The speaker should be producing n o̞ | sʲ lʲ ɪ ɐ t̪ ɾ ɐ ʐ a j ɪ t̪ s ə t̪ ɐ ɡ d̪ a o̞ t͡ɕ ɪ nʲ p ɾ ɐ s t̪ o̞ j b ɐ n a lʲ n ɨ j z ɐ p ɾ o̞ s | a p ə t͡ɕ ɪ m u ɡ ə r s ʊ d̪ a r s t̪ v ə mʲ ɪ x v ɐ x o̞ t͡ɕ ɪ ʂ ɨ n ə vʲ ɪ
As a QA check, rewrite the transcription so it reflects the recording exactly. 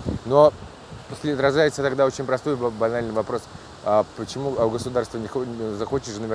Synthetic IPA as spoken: n o̞ | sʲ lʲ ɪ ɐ t̪ ɾ ɐ ʐ a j ɪ t̪ s ə t̪ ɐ ɡ d̪ a o̞ t͡ɕ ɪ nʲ p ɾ ɐ s t̪ o̞ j b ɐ n a lʲ n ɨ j v ɐ p ɾ o̞ s | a p ə t͡ɕ ɪ m u ɡ ə s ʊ d̪ a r s t̪ v ə nʲ ɪ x z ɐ x o̞ t͡ɕ ɪ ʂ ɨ n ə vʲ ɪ